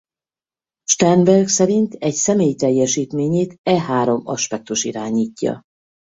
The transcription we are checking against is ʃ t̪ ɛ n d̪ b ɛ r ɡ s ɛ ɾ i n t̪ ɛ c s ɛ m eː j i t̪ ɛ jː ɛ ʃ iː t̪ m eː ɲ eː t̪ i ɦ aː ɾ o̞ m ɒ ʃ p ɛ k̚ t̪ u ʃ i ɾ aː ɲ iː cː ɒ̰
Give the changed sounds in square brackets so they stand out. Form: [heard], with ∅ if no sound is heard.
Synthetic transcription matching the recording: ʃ t̪ ɛ n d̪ b ɛ r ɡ s ɛ ɾ i n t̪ ɛ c s ɛ m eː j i t̪ ɛ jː ɛ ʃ iː t̪ m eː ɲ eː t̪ [ɛ] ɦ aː ɾ o̞ m ɒ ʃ p ɛ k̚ t̪ u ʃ i ɾ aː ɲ iː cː ɒ̰